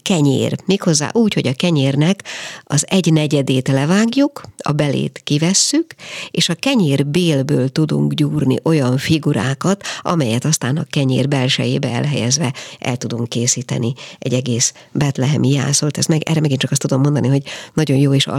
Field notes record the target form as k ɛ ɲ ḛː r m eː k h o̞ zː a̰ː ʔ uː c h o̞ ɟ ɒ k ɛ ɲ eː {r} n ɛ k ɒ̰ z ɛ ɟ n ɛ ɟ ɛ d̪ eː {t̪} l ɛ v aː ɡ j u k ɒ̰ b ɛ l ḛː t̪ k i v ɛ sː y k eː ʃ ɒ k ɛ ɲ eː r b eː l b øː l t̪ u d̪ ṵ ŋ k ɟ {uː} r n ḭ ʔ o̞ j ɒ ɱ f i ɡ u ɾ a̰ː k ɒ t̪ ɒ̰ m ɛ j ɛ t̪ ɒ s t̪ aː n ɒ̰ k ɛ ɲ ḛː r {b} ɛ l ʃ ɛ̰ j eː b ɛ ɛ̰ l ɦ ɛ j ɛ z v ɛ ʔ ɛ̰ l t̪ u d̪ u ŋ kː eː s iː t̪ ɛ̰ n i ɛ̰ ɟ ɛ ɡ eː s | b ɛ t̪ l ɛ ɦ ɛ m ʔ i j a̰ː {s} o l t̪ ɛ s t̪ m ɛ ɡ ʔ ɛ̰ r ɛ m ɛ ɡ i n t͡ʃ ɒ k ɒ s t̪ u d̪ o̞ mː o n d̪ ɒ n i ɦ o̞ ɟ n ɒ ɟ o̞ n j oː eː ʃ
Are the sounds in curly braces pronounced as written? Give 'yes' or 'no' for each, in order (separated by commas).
yes, yes, yes, yes, yes